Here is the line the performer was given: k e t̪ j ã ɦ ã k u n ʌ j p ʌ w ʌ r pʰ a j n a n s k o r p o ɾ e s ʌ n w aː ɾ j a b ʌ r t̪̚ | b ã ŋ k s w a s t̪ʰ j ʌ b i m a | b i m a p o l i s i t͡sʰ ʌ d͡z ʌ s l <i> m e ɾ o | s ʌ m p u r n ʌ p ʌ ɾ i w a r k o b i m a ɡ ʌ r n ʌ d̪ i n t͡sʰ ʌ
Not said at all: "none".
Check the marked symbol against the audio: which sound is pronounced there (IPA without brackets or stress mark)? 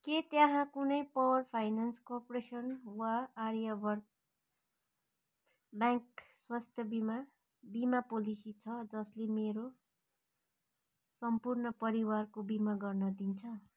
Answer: e